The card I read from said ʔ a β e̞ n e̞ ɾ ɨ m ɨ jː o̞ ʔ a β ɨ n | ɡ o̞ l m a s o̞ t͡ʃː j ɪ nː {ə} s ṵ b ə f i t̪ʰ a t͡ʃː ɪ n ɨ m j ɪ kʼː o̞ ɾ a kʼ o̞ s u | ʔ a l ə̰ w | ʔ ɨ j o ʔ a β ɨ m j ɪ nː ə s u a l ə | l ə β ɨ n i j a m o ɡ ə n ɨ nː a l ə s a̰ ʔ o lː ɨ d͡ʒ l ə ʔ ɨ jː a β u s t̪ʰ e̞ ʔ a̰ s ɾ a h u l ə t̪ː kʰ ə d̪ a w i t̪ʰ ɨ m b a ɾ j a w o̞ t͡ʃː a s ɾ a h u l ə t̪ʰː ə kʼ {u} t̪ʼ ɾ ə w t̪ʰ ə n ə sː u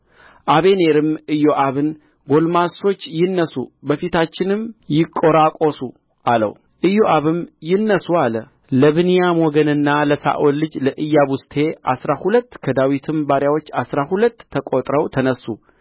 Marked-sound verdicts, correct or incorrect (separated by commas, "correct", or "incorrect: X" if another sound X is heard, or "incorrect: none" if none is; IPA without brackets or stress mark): correct, incorrect: o